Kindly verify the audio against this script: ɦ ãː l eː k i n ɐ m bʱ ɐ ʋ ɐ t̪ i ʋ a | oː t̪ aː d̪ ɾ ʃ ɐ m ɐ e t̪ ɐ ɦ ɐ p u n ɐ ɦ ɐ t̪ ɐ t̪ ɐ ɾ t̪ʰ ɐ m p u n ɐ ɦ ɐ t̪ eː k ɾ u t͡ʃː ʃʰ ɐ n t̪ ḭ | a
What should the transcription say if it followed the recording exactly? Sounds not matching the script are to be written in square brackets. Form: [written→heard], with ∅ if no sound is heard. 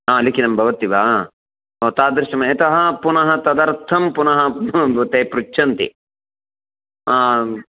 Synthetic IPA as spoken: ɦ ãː l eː k i n ɐ m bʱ ɐ ʋ ɐ t̪ i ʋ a | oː t̪ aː d̪ ɾ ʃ ɐ m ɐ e t̪ ɐ ɦ ɐ p u n ɐ ɦ ɐ t̪ ɐ [t̪→d̪] ɐ ɾ t̪ʰ ɐ m p u n ɐ ɦ ɐ t̪ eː [k→p] ɾ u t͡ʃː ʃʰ ɐ n t̪ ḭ | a